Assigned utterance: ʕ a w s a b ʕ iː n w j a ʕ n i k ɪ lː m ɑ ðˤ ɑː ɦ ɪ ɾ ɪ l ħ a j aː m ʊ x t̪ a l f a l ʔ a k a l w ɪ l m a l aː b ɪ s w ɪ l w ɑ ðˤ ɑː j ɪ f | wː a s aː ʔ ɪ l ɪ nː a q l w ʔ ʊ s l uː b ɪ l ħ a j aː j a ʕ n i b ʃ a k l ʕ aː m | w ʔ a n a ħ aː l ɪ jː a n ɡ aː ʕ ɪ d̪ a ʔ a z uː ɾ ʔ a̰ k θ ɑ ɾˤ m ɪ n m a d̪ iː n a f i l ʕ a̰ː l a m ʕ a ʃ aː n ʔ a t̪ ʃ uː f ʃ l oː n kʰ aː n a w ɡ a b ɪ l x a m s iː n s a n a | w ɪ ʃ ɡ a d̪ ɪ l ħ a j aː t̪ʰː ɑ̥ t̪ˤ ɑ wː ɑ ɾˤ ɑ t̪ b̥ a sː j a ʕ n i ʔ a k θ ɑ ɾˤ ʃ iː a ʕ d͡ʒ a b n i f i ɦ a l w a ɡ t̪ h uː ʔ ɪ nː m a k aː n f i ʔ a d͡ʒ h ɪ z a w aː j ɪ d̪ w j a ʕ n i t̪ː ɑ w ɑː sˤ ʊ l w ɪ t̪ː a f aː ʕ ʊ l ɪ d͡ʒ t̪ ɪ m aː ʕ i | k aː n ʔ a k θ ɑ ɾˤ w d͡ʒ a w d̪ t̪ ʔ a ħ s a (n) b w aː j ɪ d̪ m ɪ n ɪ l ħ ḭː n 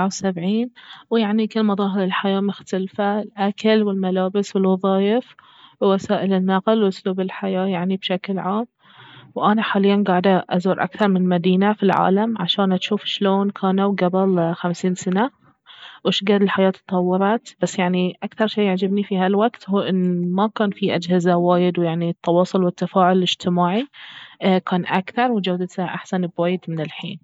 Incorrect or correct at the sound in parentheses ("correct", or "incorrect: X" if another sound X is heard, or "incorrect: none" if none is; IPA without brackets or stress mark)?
correct